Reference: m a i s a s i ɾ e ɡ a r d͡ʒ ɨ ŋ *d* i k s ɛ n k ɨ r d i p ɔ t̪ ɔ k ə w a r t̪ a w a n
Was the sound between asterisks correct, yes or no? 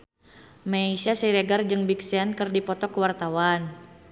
no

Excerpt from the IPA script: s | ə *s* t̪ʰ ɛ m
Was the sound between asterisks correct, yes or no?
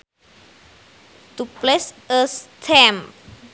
yes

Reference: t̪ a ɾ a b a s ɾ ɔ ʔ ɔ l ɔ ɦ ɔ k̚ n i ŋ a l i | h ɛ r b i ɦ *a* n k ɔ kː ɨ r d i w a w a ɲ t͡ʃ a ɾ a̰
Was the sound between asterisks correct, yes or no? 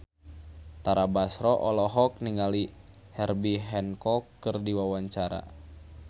no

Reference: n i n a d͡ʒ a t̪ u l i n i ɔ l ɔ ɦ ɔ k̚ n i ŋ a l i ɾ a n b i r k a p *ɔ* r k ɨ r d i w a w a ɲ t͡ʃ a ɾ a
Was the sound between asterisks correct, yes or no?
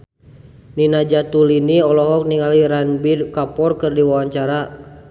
yes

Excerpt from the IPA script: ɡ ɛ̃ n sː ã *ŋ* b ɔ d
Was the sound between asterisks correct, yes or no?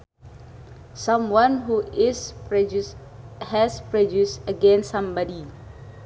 no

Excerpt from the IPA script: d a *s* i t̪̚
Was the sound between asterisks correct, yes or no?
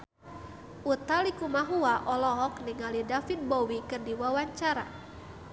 no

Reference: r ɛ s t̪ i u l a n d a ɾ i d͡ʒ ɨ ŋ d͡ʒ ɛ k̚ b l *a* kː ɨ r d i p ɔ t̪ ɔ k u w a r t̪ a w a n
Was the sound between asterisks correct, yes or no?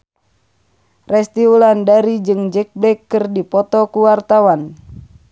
no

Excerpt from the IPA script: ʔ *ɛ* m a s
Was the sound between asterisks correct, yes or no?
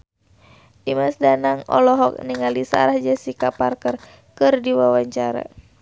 no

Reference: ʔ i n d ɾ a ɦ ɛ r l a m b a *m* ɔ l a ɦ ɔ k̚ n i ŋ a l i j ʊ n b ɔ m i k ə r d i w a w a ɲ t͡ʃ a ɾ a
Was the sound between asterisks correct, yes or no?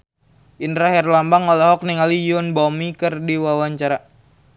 no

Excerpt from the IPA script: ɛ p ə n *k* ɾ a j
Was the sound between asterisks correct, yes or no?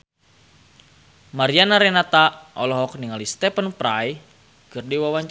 no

